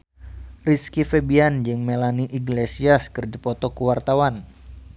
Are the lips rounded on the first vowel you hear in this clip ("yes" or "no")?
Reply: no